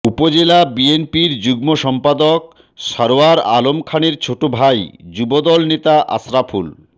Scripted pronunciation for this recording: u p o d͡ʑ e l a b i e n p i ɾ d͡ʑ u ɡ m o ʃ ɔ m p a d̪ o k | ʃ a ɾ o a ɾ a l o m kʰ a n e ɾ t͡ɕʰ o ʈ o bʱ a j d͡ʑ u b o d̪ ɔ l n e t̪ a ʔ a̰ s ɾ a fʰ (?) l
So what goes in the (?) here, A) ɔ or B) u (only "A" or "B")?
B